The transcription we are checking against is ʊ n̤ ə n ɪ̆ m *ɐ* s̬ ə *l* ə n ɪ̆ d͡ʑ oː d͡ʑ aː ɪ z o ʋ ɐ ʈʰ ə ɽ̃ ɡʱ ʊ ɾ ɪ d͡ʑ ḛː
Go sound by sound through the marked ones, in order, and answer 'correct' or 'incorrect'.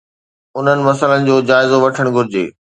correct, correct

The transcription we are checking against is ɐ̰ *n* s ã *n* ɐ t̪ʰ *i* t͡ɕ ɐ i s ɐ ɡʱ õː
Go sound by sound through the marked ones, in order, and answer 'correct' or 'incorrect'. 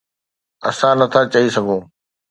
incorrect, correct, incorrect

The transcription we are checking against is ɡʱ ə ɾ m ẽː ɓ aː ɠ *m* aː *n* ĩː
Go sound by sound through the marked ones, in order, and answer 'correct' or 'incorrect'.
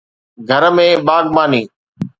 correct, correct

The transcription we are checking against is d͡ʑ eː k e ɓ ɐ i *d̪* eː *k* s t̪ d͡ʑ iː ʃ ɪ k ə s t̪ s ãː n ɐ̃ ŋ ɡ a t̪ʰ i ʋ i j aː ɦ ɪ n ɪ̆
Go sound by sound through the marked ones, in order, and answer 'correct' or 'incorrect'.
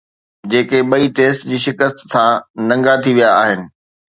incorrect, incorrect

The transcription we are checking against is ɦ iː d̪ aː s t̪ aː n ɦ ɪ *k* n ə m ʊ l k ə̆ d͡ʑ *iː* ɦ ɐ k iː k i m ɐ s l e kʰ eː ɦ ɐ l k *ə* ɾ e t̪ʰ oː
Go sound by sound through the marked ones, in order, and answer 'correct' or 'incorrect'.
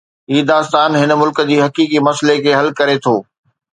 incorrect, correct, incorrect

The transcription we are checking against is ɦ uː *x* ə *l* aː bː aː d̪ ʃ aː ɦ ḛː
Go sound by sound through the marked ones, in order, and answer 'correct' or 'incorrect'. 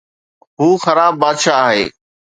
correct, incorrect

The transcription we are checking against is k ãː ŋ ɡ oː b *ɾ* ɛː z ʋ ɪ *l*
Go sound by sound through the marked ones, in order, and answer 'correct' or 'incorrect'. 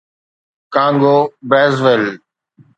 correct, correct

